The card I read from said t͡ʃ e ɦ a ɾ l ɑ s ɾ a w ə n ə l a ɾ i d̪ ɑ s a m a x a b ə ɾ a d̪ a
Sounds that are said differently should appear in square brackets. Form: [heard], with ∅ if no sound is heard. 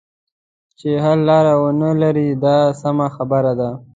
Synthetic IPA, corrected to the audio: t͡ʃ e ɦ a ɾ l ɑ [∅] ɾ a w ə n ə l a ɾ i d̪ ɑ s a m a x a b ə ɾ a d̪ a